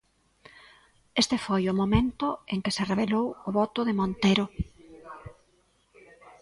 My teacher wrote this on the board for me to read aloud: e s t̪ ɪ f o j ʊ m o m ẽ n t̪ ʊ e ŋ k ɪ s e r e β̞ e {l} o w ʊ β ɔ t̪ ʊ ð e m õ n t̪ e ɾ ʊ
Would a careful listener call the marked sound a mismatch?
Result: no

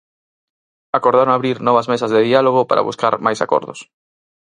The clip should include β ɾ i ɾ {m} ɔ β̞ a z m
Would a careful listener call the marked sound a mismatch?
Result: yes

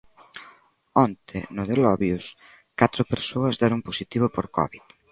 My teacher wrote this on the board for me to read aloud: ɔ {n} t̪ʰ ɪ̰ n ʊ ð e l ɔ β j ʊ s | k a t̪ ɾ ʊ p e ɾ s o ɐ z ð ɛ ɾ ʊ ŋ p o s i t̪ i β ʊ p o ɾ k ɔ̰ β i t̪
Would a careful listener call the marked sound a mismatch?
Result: no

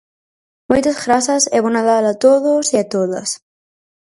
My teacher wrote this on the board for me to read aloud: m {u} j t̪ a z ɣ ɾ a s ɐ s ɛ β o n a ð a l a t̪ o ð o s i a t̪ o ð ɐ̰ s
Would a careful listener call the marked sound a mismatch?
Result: yes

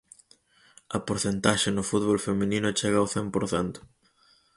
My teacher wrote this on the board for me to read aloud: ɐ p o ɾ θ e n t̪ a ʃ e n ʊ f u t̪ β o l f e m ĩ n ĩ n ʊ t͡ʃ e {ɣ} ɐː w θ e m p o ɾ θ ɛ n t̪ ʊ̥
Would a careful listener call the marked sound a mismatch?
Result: no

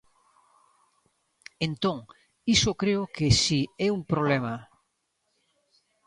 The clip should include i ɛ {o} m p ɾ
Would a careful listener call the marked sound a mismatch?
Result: yes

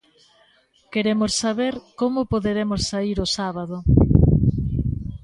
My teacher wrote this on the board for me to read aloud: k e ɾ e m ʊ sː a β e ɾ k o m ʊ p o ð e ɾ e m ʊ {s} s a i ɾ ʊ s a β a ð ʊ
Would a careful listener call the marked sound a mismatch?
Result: no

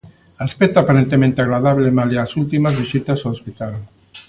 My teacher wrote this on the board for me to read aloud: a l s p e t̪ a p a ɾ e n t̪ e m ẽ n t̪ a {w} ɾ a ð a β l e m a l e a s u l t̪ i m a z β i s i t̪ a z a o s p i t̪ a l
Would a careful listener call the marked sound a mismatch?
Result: yes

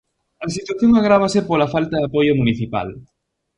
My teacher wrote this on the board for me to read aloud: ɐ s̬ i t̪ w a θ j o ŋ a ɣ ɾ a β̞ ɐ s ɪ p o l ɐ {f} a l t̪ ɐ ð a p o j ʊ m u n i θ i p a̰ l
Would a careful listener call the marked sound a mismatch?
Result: no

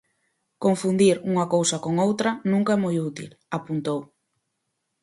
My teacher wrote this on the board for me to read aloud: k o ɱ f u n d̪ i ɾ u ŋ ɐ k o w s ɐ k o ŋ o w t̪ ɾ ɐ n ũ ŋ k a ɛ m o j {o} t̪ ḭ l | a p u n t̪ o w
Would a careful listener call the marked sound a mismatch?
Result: yes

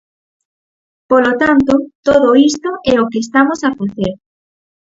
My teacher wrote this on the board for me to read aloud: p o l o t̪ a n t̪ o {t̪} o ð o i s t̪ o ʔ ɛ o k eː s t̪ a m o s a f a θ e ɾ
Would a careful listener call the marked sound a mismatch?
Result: no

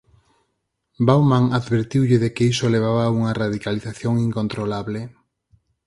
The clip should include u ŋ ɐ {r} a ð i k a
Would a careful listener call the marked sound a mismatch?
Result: no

